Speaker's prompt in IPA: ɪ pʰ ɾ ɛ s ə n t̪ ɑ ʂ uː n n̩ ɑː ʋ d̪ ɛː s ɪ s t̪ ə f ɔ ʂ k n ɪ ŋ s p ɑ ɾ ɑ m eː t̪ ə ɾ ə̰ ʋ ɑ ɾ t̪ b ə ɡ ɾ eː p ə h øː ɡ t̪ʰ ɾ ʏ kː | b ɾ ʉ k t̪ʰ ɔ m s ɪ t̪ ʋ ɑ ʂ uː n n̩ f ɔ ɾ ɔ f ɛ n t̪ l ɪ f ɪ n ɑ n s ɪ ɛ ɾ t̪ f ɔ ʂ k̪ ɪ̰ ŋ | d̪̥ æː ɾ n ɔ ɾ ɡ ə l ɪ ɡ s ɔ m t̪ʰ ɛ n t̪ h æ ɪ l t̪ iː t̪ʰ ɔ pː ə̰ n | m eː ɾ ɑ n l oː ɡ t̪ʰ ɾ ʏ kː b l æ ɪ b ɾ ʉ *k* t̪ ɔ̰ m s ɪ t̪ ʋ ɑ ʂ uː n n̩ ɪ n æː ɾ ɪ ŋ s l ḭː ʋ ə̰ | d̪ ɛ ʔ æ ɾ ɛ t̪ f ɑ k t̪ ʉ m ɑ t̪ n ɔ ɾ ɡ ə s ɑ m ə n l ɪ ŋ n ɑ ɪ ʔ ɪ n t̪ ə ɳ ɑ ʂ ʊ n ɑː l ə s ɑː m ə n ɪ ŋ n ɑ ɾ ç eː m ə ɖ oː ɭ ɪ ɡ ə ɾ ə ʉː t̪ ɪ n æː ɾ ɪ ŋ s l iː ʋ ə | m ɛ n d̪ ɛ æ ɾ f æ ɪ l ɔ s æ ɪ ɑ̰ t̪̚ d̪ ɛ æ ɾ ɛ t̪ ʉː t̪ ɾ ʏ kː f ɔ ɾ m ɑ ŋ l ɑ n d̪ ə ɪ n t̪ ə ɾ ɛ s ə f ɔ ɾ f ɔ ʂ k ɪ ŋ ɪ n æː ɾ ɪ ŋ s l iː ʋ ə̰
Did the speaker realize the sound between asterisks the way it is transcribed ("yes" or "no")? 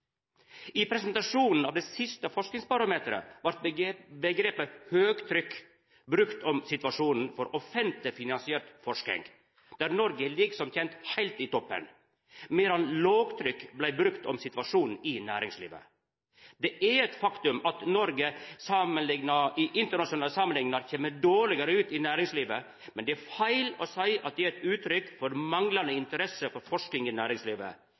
yes